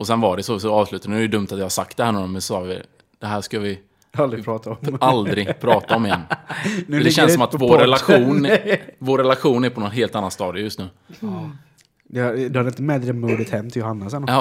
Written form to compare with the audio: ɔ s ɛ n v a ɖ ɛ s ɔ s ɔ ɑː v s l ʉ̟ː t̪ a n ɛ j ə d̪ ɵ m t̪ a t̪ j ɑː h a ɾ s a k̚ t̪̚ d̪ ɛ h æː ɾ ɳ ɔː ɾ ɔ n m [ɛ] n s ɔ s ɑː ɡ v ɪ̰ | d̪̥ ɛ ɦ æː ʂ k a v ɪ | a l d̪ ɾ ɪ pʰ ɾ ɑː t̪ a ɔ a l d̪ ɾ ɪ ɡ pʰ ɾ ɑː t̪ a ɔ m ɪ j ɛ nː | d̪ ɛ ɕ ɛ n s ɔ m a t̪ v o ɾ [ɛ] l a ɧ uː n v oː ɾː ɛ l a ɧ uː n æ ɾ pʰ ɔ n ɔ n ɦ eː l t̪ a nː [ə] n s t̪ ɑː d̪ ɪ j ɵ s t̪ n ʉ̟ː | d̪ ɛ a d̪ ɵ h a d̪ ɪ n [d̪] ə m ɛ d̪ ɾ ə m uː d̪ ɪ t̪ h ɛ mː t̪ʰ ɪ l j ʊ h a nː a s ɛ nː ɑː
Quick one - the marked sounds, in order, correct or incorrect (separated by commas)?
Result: correct, correct, incorrect, incorrect